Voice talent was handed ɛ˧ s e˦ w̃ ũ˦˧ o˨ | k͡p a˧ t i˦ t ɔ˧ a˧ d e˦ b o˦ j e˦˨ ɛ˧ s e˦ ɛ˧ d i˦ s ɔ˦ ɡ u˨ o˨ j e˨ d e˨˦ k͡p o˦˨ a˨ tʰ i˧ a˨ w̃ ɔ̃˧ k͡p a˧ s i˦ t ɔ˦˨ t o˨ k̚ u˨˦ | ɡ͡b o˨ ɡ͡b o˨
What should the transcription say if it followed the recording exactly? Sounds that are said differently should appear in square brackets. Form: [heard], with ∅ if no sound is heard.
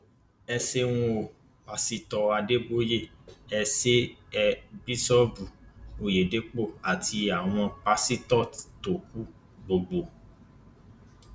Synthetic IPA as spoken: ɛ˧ s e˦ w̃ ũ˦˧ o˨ | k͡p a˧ [s] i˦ t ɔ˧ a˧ d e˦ b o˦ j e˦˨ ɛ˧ s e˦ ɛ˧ [b] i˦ s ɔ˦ [b] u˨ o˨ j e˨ d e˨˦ k͡p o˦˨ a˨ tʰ i˧ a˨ w̃ ɔ̃˧ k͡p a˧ s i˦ t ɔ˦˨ t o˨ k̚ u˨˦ | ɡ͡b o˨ ɡ͡b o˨